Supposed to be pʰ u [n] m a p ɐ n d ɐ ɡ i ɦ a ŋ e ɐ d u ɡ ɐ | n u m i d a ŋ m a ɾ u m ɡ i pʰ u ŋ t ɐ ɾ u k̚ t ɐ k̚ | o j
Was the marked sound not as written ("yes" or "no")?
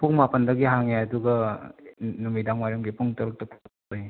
yes